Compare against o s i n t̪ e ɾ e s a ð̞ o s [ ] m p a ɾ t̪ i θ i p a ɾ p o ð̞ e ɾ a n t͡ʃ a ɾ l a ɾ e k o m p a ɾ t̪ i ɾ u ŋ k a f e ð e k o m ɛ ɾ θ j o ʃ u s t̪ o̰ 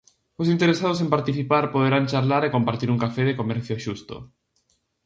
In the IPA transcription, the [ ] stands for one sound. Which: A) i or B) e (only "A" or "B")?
B